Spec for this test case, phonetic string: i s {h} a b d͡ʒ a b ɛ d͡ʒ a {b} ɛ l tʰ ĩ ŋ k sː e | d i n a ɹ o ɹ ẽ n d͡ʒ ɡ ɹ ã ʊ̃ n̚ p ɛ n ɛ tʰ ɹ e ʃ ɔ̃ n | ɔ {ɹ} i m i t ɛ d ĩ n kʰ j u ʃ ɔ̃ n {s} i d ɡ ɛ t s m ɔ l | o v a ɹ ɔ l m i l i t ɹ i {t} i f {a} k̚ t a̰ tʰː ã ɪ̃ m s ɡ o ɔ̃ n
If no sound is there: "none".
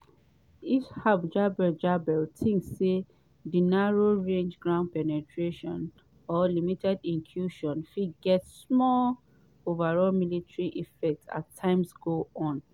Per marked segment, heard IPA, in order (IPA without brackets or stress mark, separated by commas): h, b, l, f, ʔ, ɛ